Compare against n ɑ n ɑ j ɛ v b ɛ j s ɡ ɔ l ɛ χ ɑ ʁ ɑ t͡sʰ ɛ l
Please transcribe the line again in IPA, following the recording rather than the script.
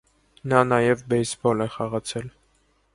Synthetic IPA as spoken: n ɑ n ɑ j ɛ v b ɛ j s b ɔ l ɛ χ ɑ ʁ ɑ t͡sʰ ɛ l